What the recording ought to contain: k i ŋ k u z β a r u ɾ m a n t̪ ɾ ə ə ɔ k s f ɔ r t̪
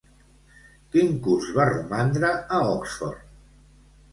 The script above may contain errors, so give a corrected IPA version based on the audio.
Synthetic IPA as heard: k i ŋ k u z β a r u m a n d̪ ɾ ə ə ɔ k s f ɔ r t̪